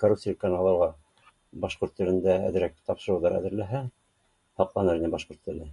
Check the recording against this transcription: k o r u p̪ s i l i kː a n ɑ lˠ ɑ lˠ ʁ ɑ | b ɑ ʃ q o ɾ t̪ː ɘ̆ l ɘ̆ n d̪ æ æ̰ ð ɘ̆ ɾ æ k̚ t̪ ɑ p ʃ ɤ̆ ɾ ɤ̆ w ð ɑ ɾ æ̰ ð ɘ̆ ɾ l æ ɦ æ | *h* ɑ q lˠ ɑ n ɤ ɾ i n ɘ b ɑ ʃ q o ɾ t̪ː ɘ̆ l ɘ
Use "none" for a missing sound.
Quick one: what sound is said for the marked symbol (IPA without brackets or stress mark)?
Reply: h